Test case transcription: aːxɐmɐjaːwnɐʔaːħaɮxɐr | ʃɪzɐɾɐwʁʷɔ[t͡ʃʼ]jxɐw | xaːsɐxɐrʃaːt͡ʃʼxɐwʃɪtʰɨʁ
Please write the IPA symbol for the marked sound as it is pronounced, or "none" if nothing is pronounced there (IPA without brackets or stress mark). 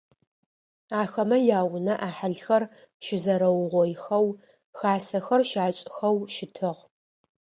none